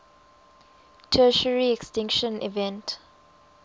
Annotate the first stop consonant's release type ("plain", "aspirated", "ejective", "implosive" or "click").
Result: aspirated